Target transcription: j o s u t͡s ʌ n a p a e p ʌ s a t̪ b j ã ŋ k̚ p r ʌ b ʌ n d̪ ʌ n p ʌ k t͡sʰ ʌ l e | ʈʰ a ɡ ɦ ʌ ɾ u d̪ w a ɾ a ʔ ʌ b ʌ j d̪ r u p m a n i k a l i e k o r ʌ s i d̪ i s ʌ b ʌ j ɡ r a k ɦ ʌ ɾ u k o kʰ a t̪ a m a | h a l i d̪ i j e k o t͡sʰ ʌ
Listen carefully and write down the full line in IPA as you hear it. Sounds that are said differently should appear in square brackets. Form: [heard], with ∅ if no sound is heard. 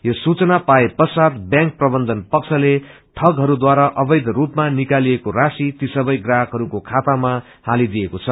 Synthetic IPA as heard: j o s u t͡s ʌ n a p a e p ʌ s a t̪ b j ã ŋ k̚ p r ʌ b ʌ n d̪ ʌ n p ʌ k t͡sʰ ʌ l e | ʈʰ [ʌ] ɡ ɦ ʌ ɾ u d̪ w a ɾ a ʔ ʌ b ʌ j d̪ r u p m a n i k a l i e k o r [a] s i [t̪] i s ʌ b ʌ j ɡ r a k ɦ ʌ ɾ u k o kʰ a t̪ a m a | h a l i d̪ i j e k o t͡sʰ ʌ